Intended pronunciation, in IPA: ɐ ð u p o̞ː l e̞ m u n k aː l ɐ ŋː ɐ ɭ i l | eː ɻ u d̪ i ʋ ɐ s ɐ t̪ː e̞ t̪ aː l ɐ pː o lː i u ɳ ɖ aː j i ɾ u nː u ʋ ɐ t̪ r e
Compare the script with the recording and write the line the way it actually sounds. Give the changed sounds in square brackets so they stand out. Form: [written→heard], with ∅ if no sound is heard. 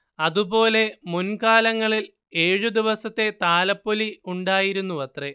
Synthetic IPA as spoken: ɐ ð u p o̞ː l e̞ m u n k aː l ɐ ŋː ɐ ɭ i l | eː ɻ u d̪ i ʋ ɐ s ɐ t̪ː e̞ t̪ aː l ɐ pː o [lː→l] i u ɳ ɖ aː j i ɾ u nː u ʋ ɐ t̪ r e